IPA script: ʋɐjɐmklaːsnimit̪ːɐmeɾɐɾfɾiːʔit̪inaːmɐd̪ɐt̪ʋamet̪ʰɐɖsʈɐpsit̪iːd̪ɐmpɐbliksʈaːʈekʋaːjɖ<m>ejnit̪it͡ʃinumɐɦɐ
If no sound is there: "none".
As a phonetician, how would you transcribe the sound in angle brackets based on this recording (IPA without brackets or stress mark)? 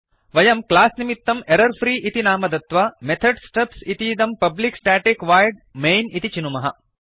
m